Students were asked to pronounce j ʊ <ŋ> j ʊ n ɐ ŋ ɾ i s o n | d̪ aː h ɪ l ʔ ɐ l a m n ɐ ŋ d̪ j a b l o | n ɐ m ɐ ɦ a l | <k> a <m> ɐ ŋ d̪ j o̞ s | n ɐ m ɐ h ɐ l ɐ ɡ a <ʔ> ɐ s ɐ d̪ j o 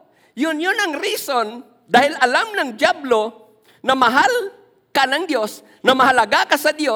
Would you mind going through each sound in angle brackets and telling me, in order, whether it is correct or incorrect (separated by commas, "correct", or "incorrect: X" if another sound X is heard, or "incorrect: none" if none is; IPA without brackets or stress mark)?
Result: incorrect: n, correct, incorrect: n, incorrect: k